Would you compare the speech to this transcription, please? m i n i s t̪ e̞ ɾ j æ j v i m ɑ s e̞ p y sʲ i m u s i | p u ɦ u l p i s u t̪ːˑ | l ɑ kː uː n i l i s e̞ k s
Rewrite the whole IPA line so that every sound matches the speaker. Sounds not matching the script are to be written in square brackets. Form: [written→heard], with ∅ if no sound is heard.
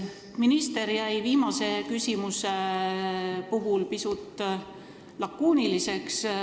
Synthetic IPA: m i n i s t̪ e̞ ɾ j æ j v [i→iː] m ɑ s e̞ [p→k] y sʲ i m u s [i→e] | p u ɦ u l p i s u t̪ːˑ | l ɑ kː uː n i l i s e̞ k s